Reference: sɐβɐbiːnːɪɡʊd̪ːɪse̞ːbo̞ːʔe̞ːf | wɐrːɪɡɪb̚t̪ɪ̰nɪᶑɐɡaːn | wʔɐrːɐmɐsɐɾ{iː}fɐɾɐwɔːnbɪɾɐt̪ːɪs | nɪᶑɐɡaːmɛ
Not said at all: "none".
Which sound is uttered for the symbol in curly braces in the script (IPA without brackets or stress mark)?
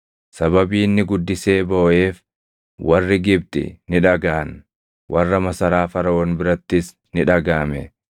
aː